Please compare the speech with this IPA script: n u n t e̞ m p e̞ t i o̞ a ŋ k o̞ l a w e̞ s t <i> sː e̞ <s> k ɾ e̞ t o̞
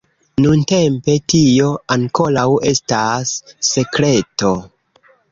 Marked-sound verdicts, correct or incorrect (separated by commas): incorrect, incorrect